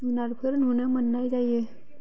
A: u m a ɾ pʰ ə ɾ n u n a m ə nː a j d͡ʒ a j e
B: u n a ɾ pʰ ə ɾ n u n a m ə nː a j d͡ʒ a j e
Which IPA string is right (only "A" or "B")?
B